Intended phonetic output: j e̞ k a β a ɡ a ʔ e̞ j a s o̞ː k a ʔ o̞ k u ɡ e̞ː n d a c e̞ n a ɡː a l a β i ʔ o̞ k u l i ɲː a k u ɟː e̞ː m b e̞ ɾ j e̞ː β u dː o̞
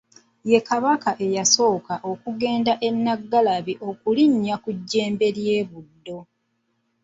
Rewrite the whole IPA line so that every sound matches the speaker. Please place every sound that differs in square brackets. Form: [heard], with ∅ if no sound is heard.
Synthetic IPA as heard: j e̞ k a β a [k] a ʔ e̞ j a s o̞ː k a ʔ o̞ k u ɡ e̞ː n d a [ʔ] e̞ [nː] a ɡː a l a β i ʔ o̞ k u l i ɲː a k u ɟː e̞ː m b e̞ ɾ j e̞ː β u dː o̞